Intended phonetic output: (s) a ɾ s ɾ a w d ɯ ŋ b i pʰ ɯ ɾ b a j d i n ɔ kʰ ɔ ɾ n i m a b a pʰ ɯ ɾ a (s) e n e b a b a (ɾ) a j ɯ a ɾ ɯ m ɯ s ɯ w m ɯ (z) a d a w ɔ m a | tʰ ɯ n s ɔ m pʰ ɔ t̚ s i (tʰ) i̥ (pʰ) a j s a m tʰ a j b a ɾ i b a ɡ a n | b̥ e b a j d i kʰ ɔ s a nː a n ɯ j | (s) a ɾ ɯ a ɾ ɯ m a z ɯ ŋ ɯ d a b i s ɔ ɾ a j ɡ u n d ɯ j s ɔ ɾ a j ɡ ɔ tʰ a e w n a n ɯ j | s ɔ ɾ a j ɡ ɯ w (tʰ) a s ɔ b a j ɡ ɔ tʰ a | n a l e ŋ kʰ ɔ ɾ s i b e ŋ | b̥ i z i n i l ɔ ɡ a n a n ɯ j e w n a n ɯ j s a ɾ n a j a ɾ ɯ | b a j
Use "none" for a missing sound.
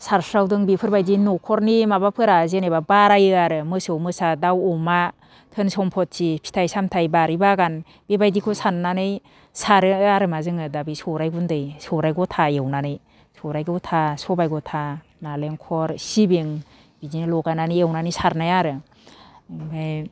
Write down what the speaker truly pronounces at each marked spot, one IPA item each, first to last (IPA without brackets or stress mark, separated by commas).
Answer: s, z, ɾ, s, pʰ, tʰ, s, tʰ